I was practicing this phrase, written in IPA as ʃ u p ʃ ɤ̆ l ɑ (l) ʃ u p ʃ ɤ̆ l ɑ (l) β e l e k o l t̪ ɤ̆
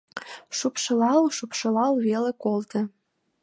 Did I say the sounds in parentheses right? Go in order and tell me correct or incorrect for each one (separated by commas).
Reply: correct, correct